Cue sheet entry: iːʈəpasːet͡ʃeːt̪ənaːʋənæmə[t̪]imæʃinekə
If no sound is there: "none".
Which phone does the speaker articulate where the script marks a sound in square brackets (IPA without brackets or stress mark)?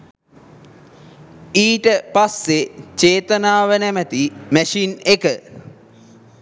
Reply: t̪